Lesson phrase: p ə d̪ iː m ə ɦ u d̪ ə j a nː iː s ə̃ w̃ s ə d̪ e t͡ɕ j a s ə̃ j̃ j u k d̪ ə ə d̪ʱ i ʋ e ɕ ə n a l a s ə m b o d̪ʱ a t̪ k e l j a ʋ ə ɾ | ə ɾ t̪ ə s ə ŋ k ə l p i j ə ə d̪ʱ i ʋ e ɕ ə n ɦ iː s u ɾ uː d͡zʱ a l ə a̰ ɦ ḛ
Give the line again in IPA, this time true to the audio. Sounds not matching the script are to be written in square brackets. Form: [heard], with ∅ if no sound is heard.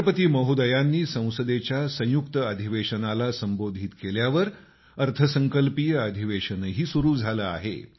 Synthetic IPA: p ə [t̪] iː m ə ɦ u d̪ ə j a nː iː s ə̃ w̃ s ə d̪ e t͡ɕ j a s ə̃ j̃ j u k [t̪] ə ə d̪ʱ i ʋ e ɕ ə n a l a s ə m b o d̪ʱ [i] t̪ k e l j a ʋ ə ɾ | ə ɾ [t̪ʰ] ə s ə ŋ k ə l p i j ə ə d̪ʱ i ʋ e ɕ ə n ɦ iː s u ɾ uː d͡zʱ a l ə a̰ ɦ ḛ